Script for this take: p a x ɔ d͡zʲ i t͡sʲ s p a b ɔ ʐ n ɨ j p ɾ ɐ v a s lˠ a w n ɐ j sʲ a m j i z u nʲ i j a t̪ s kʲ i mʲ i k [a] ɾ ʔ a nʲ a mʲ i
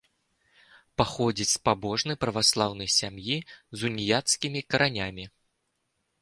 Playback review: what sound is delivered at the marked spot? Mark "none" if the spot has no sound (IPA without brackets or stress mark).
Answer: ɐ